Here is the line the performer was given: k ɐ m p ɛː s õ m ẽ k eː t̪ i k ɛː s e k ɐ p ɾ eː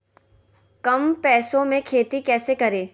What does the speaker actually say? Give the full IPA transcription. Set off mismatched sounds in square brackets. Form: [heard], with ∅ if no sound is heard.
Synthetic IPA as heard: k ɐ m p ɛː s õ m ẽ [kʰ] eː t̪ i k ɛː s e k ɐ [∅] ɾ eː